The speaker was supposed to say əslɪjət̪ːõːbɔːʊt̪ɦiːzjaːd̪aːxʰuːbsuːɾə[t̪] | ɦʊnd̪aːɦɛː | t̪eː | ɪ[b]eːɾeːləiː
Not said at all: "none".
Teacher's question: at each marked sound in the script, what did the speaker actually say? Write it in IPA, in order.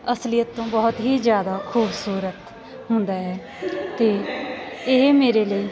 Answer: t̪, m

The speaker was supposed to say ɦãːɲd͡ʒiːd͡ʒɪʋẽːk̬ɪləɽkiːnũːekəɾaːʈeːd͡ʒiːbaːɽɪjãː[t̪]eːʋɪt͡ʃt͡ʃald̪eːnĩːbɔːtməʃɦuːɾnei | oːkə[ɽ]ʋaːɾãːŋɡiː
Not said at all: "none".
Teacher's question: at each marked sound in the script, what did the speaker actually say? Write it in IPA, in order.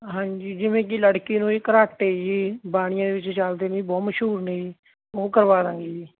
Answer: d̪, ɾ

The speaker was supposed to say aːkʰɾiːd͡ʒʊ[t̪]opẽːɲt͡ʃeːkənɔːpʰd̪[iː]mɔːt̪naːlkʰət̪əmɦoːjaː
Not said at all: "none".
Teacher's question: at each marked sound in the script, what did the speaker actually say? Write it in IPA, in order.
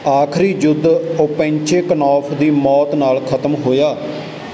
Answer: d̪, iː

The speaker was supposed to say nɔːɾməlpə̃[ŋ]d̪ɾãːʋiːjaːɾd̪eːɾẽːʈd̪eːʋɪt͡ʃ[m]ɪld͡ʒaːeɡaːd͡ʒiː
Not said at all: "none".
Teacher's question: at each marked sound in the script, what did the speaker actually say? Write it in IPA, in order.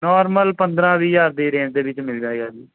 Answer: n, m

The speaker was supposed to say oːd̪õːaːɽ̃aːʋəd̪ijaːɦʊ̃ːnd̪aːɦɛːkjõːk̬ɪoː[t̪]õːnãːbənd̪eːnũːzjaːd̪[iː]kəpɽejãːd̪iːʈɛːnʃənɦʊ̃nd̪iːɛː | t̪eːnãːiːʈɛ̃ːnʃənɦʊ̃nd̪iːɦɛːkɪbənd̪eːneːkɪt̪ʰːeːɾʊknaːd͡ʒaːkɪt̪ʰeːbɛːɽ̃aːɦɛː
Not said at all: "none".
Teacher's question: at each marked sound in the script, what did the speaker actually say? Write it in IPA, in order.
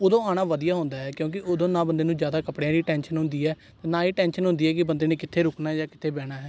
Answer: d̪, aː

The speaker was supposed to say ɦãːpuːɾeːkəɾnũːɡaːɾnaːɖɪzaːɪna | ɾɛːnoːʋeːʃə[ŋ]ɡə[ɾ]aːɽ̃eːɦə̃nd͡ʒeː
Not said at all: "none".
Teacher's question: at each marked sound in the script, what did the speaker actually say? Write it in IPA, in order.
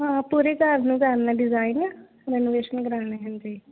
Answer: n, ɾ

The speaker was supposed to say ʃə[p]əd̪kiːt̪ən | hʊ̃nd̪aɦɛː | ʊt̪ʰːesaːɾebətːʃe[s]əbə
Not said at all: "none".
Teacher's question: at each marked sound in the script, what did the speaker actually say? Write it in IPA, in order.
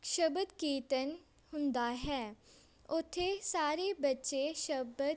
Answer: b, ʃ

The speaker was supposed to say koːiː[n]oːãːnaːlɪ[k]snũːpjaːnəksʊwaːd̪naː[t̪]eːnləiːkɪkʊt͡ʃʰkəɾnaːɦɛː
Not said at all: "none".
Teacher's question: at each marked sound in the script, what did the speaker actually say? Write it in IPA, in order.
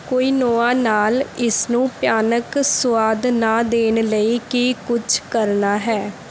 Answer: n, none, d̪

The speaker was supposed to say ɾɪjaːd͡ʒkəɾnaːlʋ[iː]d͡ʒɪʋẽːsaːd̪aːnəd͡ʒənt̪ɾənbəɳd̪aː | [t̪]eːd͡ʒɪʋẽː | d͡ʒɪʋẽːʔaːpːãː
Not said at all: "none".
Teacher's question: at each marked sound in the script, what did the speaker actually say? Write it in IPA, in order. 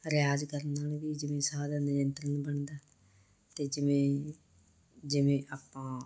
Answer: iː, t̪

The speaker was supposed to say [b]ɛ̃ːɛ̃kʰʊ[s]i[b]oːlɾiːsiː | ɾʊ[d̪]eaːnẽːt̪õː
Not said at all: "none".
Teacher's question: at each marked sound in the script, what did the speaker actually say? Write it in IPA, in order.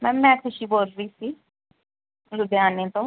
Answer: m, ʃ, b, d̪

